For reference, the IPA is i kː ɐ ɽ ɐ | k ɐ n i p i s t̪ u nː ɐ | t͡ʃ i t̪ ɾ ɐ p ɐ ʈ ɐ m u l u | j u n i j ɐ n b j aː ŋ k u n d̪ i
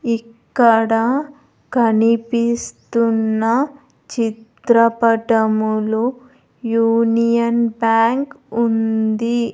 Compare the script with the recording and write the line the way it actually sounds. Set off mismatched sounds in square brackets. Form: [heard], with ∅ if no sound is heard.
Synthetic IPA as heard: i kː ɐ ɽ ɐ | k ɐ n i p i s t̪ u nː ɐ | t͡ʃ i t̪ ɾ ɐ p ɐ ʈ ɐ m u l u | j [uː] n i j ɐ n b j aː ŋ k u n d̪ i